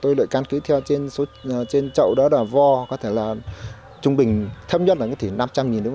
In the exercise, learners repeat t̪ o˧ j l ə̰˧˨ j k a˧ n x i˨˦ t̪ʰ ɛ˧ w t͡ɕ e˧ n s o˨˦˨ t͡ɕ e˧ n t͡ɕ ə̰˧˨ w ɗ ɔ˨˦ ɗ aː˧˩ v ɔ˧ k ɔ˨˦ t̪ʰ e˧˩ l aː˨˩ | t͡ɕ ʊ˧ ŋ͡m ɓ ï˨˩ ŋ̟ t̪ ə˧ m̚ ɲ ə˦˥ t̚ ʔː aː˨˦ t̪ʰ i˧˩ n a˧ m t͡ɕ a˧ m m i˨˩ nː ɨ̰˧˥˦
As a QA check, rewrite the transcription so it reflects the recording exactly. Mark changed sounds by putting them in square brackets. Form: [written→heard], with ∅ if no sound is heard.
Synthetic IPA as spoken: t̪ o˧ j l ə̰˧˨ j k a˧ n [x→k] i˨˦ t̪ʰ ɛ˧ w t͡ɕ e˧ n s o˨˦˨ t͡ɕ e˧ n t͡ɕ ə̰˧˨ w ɗ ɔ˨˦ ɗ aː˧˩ v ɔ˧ k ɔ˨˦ t̪ʰ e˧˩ l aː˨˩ | t͡ɕ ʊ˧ ŋ͡m ɓ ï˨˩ ŋ̟ [t̪→t̪ʰ] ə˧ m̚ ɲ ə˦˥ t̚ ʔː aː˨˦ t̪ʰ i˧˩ n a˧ m t͡ɕ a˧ m [m→ŋ] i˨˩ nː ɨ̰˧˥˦